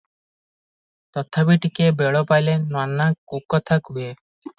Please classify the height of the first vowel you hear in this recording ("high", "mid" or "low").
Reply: mid